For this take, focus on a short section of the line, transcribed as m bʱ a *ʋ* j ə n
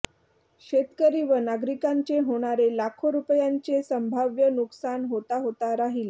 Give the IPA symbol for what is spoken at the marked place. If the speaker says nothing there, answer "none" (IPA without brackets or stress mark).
ʋ